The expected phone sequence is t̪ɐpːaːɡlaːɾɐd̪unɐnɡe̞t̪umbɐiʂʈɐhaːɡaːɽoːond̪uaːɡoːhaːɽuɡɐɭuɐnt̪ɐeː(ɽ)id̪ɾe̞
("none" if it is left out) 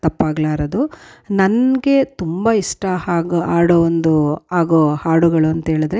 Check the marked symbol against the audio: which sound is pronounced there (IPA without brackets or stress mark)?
ɭ